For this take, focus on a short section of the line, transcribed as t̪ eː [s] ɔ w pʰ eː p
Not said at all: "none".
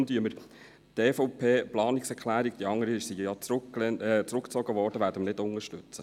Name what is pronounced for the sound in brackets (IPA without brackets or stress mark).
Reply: f